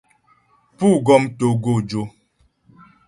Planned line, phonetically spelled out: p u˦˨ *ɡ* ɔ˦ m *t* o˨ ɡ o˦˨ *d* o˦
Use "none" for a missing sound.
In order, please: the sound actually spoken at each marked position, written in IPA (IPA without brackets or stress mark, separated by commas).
ɡ, t, d͡ʒ